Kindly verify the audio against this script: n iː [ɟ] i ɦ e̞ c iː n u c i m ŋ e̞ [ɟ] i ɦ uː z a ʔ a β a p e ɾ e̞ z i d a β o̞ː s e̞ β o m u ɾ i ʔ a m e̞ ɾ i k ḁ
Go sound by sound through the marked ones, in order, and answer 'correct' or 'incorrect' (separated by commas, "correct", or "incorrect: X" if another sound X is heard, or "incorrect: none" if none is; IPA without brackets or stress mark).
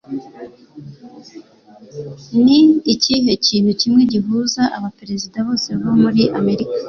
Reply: incorrect: c, correct